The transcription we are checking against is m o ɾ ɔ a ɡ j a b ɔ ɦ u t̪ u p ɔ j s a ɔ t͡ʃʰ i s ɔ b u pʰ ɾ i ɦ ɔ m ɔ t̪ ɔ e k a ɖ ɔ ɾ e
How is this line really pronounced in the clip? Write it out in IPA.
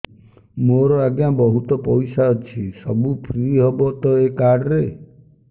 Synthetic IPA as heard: m o ɾ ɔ a ɡ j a b ɔ ɦ u t̪ ɔ p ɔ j s a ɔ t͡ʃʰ i s ɔ b u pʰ ɾ i ɦ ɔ b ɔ t̪ ɔ e k a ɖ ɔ ɾ e